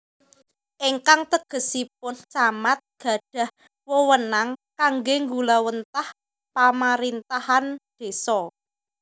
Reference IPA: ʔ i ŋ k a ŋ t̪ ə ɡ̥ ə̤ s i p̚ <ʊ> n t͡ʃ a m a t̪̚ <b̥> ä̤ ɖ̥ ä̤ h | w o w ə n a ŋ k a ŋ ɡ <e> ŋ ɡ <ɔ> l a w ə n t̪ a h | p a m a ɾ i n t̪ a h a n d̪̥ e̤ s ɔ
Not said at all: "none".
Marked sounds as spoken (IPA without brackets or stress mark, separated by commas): ʊ, ɡ̥, e, u